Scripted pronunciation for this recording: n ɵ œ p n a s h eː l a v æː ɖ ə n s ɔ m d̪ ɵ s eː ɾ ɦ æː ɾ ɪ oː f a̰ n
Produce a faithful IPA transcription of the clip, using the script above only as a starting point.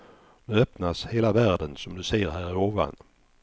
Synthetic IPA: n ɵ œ p n a s h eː l a v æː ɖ ə n s ɔ m d̪ ɵ s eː ɾ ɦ æː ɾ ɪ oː v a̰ n